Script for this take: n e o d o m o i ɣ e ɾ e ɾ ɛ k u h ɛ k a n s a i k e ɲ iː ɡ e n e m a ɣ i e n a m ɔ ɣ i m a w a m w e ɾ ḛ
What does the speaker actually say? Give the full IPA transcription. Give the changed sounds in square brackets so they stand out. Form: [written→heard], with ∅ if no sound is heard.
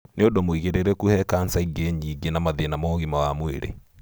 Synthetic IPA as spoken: n e o d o m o i ɣ e ɾ e ɾ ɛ k u h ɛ k a n s a i [k→ɡ] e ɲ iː ɡ e n [e→a] m a [ɣ→ð] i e n a m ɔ ɣ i m a w a m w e ɾ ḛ